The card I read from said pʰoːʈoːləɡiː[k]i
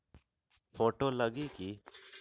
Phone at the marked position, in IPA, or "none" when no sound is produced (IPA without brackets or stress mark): k